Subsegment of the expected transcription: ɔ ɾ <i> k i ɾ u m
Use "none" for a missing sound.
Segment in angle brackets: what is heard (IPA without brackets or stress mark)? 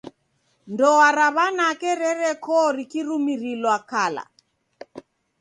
i